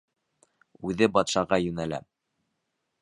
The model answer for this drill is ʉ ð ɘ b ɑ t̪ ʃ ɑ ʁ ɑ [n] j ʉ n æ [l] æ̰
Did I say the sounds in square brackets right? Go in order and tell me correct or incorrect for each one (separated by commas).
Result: incorrect, correct